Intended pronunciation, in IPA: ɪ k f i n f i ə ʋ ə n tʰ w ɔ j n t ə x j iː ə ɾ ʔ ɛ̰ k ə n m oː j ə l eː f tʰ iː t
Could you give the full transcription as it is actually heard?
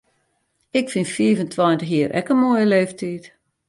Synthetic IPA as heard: ɪ k f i n f i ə v ə n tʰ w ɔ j n t ə x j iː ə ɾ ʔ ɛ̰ k ə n m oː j ə l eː f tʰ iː t